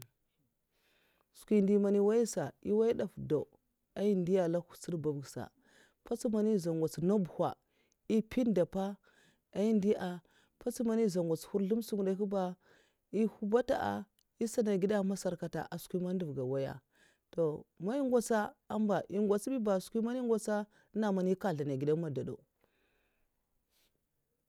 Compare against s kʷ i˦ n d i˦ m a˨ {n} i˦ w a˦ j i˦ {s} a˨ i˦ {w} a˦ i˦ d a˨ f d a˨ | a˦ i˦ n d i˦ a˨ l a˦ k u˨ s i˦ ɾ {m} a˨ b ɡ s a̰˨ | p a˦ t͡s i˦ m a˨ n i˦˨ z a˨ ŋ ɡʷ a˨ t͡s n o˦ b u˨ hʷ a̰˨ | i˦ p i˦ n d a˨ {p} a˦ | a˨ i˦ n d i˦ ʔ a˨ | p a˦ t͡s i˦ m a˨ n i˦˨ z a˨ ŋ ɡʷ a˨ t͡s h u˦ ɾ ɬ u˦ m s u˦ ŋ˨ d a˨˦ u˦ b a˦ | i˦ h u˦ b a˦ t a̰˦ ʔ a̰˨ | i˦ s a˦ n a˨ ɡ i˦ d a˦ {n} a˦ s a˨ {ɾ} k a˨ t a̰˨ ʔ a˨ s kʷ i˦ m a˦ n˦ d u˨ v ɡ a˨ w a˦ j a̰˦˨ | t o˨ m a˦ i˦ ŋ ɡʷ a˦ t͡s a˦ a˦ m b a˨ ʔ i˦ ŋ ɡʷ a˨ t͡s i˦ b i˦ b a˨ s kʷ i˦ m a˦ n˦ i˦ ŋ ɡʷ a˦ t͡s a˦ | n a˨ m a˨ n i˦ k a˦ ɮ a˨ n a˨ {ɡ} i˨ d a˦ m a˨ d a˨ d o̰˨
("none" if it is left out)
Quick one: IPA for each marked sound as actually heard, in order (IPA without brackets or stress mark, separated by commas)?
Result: n, s, w, b, p, m, ɾ, ɡ